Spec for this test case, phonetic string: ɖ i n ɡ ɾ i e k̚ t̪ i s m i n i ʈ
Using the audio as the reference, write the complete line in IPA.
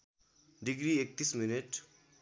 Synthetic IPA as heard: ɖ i ɡ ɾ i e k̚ t̪ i s m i n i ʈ